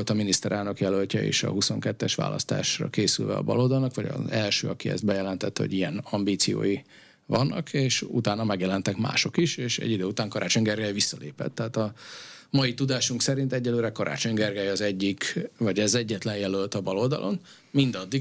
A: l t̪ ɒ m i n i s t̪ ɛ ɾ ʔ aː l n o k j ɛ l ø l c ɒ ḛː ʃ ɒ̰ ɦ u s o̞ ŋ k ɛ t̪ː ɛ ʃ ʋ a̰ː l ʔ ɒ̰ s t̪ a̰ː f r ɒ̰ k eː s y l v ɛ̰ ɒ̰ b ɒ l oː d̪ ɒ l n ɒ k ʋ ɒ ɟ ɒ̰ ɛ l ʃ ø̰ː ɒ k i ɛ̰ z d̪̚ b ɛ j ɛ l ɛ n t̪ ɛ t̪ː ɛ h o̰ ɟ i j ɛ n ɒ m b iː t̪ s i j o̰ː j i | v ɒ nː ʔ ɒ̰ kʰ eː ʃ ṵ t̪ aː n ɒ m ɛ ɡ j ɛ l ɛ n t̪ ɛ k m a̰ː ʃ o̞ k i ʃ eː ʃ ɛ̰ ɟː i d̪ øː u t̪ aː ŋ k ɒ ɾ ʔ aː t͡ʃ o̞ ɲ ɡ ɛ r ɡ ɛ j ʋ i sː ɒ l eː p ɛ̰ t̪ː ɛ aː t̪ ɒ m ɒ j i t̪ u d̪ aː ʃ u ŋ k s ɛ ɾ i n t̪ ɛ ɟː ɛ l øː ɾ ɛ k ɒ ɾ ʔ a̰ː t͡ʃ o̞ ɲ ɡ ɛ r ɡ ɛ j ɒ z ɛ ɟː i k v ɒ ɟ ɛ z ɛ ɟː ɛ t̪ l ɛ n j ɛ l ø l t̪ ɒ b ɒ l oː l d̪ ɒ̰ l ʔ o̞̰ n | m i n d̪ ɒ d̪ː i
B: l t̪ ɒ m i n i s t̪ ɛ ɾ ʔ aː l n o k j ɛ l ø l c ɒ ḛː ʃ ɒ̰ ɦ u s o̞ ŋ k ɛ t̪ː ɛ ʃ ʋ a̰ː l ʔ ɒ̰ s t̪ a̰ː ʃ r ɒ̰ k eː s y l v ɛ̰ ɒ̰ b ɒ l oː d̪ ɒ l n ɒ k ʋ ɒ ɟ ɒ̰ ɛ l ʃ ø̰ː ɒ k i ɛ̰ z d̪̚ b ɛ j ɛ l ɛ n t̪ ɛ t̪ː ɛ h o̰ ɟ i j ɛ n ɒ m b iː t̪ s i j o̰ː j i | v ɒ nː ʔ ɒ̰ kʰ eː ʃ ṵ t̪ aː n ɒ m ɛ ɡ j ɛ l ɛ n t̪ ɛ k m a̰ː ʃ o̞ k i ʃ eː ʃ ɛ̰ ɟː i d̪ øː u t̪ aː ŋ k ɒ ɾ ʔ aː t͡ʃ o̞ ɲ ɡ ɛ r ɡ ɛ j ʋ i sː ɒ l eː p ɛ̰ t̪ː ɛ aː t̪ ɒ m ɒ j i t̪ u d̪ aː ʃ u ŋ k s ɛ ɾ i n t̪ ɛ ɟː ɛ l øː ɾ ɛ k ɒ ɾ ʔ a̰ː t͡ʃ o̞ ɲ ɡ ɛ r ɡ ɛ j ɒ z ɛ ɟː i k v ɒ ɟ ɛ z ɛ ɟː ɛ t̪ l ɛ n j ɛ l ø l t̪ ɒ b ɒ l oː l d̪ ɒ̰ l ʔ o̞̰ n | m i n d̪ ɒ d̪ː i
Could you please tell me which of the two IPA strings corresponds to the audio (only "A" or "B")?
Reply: B